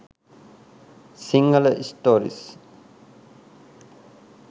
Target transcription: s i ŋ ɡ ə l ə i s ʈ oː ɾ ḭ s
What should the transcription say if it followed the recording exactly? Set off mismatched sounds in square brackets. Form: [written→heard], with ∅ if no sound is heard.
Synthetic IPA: s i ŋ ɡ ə l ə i s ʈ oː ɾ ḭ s